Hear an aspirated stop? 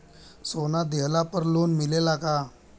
no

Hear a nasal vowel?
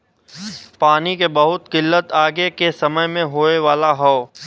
yes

